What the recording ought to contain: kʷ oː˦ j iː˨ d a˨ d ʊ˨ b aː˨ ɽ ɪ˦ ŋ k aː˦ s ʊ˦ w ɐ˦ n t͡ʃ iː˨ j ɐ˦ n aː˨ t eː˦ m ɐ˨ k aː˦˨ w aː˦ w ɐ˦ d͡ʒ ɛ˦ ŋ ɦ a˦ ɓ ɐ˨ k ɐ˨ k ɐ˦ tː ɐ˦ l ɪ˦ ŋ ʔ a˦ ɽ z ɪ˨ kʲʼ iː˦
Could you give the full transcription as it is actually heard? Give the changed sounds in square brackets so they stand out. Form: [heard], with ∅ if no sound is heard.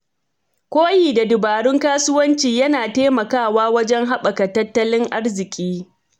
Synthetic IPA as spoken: kʷ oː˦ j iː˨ d a˨ d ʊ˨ b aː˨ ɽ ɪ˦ ŋ k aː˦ s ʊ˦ w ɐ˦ n t͡ʃ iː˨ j ɐ˦ n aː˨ t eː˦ m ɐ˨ k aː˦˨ w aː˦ w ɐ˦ d͡ʒ ɛ˦ ŋ ɦ a˦ ɓ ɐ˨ k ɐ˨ [t] ɐ˦ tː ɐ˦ l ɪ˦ ŋ ʔ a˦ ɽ z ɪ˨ kʲʼ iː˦